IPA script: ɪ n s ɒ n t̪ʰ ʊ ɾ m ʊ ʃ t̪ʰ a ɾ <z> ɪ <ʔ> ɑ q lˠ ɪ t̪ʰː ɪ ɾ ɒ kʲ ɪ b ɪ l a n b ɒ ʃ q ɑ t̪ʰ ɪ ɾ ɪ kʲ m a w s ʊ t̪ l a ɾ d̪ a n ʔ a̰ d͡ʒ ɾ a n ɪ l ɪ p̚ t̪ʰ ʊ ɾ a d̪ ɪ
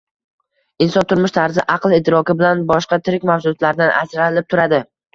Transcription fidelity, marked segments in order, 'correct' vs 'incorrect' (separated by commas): correct, correct